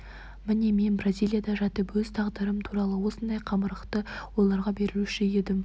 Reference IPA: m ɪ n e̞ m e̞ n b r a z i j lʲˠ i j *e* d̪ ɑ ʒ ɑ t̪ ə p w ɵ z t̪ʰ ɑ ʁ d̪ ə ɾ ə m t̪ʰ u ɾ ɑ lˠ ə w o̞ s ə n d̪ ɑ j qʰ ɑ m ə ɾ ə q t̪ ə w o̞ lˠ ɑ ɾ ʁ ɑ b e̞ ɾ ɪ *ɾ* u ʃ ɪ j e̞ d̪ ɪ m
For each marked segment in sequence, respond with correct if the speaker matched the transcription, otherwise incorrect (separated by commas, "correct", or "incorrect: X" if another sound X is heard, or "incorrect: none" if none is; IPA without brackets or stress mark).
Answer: incorrect: a, incorrect: l